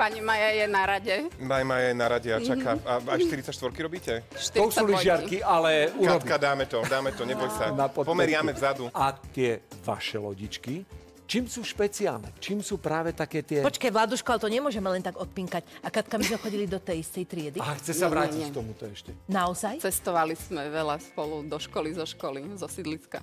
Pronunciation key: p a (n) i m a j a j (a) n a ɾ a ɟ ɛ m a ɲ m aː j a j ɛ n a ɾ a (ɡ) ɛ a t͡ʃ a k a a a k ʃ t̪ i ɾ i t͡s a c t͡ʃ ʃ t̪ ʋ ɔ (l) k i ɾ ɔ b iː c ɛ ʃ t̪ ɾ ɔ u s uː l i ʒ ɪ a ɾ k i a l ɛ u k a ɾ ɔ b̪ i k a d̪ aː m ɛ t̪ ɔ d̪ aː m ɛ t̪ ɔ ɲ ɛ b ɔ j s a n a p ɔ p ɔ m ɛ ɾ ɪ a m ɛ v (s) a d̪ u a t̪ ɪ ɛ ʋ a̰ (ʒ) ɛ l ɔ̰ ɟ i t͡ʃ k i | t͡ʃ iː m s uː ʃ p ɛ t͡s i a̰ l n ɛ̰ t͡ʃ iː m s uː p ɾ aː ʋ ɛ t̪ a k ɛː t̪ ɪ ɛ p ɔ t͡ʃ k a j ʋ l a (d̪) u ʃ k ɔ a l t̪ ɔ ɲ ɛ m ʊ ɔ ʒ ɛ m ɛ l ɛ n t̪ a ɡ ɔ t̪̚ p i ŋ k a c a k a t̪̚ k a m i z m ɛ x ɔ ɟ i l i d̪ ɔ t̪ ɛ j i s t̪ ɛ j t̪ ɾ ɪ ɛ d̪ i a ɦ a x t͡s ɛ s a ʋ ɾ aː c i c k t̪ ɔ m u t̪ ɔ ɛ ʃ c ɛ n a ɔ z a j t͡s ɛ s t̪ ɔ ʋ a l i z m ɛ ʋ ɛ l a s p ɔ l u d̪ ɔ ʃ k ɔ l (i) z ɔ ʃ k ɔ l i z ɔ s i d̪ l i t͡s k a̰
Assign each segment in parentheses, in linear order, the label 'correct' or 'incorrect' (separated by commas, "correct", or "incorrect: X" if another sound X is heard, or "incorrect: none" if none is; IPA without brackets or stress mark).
incorrect: ɲ, incorrect: ɛ, incorrect: ɟ, incorrect: ɾ, incorrect: z, incorrect: ʃ, correct, correct